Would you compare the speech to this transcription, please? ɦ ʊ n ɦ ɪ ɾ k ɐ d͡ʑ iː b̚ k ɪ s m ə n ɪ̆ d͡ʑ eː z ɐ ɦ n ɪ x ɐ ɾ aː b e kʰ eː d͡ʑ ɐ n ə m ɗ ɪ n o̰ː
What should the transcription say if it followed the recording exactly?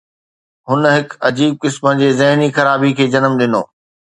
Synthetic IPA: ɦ ʊ n ɦ ɪ k ɐ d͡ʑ iː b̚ k ɪ s m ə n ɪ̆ d͡ʑ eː z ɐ ɦ n i x ɐ ɾ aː b i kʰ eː d͡ʑ ɐ n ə m ɗ ɪ n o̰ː